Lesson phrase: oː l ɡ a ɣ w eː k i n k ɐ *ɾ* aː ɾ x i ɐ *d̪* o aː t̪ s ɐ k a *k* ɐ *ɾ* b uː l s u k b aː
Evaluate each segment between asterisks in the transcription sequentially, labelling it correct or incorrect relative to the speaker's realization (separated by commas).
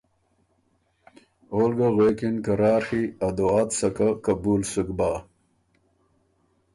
correct, correct, correct, incorrect